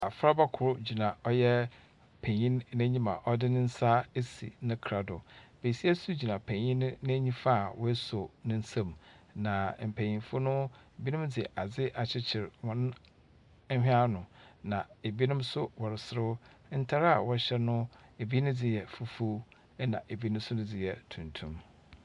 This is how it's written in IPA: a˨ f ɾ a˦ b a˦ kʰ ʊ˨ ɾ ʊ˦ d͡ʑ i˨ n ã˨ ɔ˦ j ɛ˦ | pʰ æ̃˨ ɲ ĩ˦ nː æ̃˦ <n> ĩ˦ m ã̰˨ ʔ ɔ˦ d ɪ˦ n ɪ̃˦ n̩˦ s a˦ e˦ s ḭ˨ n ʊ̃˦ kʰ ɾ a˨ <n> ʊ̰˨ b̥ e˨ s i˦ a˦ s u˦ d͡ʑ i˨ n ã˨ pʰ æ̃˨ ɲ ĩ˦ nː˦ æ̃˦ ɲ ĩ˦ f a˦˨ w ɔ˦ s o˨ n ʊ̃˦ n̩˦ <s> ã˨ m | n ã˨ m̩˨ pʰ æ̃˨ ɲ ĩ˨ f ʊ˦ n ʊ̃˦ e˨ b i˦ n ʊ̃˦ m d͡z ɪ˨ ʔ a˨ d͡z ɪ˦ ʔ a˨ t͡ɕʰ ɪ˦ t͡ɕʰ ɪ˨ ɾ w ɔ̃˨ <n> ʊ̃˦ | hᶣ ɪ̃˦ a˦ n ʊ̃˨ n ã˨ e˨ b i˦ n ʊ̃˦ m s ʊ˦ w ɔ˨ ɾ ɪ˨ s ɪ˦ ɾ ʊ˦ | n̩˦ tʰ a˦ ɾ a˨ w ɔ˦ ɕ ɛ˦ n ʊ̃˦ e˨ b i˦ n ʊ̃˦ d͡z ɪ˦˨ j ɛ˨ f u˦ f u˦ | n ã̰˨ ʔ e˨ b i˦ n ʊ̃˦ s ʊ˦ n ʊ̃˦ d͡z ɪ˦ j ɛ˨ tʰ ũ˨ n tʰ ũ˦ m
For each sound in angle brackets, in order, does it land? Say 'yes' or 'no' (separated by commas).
no, no, yes, yes